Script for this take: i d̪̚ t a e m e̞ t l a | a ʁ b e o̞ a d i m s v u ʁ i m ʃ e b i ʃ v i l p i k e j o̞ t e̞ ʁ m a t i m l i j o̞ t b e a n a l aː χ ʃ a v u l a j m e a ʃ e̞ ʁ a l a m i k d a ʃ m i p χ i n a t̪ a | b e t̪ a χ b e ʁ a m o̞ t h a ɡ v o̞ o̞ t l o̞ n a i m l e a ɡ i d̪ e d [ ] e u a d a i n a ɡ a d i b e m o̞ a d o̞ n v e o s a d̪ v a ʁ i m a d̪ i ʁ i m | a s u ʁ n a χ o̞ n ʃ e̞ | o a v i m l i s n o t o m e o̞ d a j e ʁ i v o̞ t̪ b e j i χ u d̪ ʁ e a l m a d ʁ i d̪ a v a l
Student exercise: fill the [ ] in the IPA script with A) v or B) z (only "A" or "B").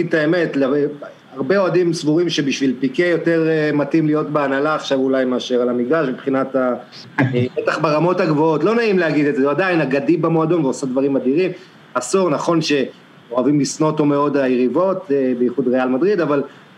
B